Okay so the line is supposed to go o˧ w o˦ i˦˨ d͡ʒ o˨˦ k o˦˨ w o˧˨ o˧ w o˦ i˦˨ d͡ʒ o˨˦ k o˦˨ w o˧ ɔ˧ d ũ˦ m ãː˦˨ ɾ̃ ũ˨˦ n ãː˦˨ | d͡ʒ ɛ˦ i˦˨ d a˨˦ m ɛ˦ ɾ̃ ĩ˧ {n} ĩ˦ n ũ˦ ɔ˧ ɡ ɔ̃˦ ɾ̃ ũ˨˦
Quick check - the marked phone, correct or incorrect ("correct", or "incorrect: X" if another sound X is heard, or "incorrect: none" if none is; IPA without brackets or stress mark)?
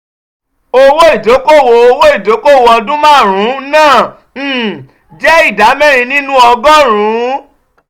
correct